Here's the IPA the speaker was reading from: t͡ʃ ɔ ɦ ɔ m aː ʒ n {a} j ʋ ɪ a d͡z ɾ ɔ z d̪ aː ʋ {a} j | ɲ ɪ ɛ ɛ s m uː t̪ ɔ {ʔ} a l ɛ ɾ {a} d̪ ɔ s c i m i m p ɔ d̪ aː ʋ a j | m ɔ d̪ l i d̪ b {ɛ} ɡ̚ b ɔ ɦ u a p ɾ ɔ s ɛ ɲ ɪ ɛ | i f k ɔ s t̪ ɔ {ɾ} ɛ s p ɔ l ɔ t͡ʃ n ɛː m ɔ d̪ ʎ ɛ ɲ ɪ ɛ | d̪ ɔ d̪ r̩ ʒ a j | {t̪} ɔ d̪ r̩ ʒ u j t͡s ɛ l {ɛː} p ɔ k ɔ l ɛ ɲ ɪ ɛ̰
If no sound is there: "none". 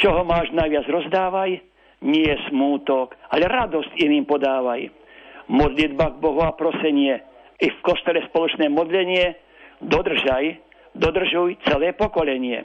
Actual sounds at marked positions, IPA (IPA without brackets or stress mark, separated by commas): a, a, k, a, a, l, d̪, ɛː